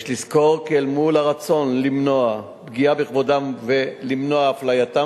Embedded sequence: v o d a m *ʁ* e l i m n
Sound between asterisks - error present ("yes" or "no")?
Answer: yes